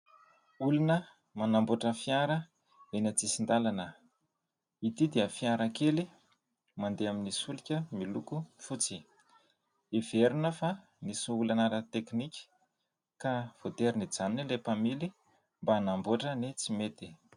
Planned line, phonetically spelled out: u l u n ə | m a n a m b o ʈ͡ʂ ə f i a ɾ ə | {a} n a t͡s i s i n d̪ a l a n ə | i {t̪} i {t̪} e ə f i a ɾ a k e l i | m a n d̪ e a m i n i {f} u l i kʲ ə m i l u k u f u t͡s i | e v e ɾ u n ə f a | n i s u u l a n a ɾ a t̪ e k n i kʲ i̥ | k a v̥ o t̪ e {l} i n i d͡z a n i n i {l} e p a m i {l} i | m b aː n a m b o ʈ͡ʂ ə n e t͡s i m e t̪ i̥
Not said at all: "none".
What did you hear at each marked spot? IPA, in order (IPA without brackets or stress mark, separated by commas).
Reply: e, t̪, d̪, s, ɾ, l, l